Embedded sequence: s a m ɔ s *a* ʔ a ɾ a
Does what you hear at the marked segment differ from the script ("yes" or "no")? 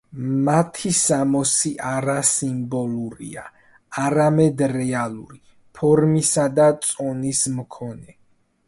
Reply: yes